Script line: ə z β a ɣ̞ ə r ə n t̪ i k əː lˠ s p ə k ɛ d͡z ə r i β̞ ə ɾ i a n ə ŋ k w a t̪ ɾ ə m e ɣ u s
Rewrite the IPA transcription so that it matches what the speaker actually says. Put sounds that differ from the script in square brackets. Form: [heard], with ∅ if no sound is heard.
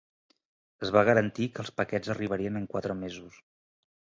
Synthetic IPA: ə z β a ɣ̞ ə [ɾ] ə n t̪ i k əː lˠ s p ə k ɛ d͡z ə r i β̞ ə ɾ i [ə] n ə ŋ k w a t̪ ɾ ə m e [z] u s